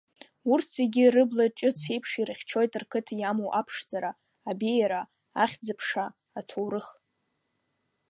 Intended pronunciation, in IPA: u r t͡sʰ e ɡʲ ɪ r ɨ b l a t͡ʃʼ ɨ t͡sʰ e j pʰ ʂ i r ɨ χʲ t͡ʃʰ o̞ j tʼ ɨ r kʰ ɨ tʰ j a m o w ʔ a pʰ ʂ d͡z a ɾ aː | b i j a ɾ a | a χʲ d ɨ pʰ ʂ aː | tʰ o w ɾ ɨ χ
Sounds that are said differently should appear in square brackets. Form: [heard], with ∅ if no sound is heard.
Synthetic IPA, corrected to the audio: u r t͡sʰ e ɡʲ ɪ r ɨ b l a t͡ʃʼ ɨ t͡sʰ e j pʰ ʂ i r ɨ χʲ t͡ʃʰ o̞ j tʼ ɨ r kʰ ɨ tʰ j a m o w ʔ a pʰ ʂ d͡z a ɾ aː | b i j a ɾ a | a χʲ [d͡z] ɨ pʰ ʂ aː | tʰ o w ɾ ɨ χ

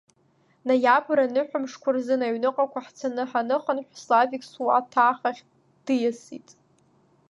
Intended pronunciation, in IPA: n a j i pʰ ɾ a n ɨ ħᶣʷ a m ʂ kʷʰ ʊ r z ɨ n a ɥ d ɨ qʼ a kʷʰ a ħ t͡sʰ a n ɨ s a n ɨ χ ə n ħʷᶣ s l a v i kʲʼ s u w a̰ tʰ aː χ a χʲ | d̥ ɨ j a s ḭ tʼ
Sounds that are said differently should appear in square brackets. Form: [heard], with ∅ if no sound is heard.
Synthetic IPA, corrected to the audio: n a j [a] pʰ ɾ a n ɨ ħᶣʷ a m ʂ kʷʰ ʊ r z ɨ n a ɥ [n] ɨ qʼ a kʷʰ a ħ t͡sʰ a n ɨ [ħ] a n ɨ χ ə n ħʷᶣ s l a v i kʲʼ s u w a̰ tʰ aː χ a χʲ | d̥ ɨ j a s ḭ tʼ

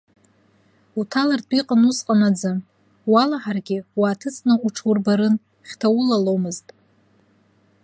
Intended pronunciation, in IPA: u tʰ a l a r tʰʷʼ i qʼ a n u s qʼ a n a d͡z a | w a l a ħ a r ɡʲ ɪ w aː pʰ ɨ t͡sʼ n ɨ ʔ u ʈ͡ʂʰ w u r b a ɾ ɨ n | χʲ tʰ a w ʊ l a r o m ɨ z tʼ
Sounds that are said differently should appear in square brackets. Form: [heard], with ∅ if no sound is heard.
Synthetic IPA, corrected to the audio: u tʰ a l a r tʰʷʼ i qʼ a n u s qʼ a n a d͡z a | w a l a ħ a r ɡʲ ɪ w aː [tʰ] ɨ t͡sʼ n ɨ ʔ u ʈ͡ʂʰ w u r b a ɾ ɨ n | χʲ tʰ a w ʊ l a [l] o m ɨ z tʼ

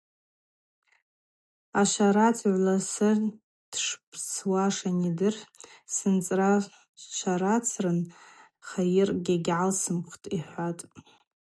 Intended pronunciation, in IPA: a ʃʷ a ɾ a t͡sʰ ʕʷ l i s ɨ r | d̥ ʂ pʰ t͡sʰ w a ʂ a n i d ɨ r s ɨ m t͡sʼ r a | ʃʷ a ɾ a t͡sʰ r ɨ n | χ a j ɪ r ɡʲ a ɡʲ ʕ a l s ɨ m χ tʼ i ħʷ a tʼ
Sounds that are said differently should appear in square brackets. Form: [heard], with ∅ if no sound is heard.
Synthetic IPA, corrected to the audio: a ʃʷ a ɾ a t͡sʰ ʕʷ l [a] s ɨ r | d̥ ʂ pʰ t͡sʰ w a ʂ a n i d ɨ r s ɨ [n] t͡sʼ r a | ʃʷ a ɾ a t͡sʰ r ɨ n | χ a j ɪ r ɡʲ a ɡʲ ʕ a l s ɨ m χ tʼ i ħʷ a tʼ

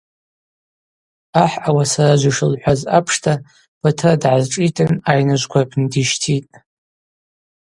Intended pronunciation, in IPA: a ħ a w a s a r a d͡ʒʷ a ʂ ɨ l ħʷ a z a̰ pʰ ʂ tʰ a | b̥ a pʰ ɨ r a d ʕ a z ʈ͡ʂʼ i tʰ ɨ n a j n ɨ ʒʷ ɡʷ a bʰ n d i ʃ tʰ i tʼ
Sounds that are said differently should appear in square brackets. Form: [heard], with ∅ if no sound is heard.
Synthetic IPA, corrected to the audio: a ħ a w a s a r a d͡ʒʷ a ʂ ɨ l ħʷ a z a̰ pʰ ʂ tʰ a | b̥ a [tʰ] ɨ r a d ʕ a z ʈ͡ʂʼ i tʰ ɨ n a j n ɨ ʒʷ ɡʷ a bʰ n d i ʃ tʰ i tʼ

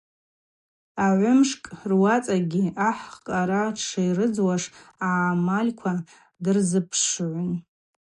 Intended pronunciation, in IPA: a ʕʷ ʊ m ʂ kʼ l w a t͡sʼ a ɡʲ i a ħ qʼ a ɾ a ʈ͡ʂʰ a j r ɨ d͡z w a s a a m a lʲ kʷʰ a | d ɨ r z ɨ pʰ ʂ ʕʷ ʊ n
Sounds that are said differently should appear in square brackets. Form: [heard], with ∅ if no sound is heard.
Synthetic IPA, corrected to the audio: a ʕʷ ʊ m ʂ kʼ [r] w a t͡sʼ a ɡʲ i a ħ qʼ a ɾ a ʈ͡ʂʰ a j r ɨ d͡z w a [ʂ] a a m a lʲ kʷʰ a | d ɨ r z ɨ pʰ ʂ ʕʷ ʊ n

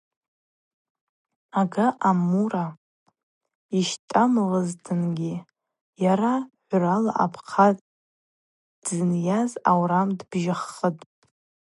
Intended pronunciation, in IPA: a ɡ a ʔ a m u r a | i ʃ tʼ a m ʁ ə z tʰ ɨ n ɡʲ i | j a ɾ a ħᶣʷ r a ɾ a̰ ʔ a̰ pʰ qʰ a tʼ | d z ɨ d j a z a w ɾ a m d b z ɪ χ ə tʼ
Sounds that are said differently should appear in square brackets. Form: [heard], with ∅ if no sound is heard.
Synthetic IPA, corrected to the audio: a ɡ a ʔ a m u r a | i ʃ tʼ a m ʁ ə z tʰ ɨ n ɡʲ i | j a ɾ a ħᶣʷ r a [l] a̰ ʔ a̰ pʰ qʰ a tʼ | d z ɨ [n] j a z a w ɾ a m d b [ʒ] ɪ χ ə tʼ

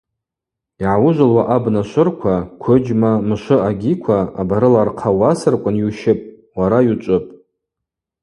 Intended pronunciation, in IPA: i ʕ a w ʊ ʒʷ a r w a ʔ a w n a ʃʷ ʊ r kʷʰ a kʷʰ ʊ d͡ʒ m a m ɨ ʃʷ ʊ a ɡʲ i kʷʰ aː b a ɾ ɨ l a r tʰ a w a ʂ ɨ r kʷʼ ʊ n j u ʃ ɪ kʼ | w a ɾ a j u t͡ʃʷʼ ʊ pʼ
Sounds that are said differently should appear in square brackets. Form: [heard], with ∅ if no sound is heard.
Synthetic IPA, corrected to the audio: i ʕ a w ʊ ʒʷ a [l] w a ʔ a [b] n a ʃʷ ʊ r kʷʰ a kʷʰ ʊ d͡ʒ m a m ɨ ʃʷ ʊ a ɡʲ i kʷʰ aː b a ɾ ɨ l a r [qʰ] a w a [s] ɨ r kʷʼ ʊ n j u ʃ ɪ [pʼ] | w a ɾ a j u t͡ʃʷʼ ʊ pʼ

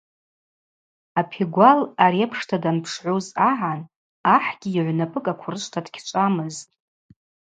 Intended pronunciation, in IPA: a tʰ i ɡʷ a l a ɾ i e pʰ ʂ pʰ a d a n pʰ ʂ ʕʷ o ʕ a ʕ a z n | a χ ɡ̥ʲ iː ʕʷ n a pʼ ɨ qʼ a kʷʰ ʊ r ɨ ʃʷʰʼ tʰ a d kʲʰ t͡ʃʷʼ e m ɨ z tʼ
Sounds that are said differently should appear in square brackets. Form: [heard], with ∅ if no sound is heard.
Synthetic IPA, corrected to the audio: a [pʰ] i ɡʷ a l a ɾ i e pʰ ʂ [tʰ] a d a n pʰ ʂ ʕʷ o [z] a ʕ a [∅] n | a [ħ] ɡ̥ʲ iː ʕʷ n a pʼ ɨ [kʼ] a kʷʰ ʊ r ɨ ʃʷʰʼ tʰ a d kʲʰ t͡ʃʷʼ [a] m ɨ z tʼ

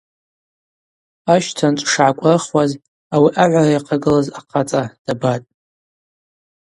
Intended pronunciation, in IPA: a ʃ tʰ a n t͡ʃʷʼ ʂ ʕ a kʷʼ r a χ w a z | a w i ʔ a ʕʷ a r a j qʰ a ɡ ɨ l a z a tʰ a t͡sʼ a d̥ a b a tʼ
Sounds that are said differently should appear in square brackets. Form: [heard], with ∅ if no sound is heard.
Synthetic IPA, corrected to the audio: a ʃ tʰ a n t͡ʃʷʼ ʂ ʕ a kʷʼ r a χ w a z | a w i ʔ a ʕʷ a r a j qʰ a ɡ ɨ l a z a [qʰ] a t͡sʼ a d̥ a b a tʼ

